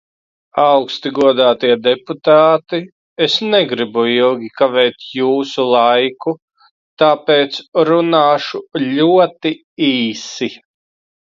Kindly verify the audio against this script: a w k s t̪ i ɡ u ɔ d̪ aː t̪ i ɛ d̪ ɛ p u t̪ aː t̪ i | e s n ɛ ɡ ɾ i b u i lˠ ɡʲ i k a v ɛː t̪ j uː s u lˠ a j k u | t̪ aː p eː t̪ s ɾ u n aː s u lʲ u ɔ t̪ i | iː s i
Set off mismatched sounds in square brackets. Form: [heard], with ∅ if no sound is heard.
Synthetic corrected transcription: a w k s t̪ i ɡ u ɔ d̪ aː t̪ i ɛ d̪ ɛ p u t̪ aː t̪ i | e s n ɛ ɡ ɾ i b u i lˠ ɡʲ i k a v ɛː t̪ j uː s u lˠ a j k u | t̪ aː p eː t̪ s ɾ u n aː [ʃ] u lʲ u ɔ t̪ i | iː s i